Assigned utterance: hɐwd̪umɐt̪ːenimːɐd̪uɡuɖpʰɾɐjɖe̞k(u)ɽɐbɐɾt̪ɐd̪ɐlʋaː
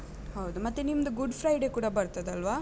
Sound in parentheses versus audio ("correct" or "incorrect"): incorrect